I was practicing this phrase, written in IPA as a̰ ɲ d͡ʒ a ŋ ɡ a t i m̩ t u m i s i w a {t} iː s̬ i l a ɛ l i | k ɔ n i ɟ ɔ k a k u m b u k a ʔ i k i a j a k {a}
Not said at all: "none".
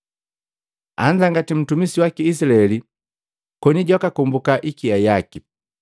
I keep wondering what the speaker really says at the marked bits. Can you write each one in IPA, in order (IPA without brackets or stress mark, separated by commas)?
k, i